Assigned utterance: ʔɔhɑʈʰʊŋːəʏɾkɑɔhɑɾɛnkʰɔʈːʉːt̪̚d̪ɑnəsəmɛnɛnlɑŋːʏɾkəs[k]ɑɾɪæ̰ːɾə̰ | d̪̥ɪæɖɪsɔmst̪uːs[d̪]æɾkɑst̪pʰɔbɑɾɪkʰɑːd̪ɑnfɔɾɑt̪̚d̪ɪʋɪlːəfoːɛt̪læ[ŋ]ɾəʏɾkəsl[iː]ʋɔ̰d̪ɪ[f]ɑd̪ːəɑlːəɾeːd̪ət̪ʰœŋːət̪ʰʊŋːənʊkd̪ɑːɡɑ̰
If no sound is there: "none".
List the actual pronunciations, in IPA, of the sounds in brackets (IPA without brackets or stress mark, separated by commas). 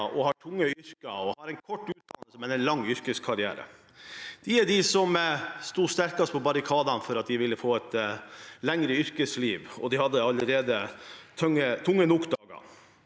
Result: kʰ, t̪, ŋ, iː, h